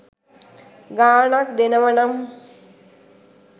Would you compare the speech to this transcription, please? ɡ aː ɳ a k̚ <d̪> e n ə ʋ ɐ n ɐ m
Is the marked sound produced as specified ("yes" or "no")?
yes